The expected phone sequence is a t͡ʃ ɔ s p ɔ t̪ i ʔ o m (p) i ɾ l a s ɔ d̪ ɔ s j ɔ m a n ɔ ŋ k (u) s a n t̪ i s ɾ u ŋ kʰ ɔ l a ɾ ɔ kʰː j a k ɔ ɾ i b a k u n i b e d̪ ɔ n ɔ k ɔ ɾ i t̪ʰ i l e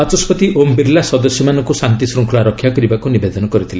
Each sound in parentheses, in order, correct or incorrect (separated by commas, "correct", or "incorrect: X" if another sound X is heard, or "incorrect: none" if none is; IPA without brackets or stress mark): incorrect: b, correct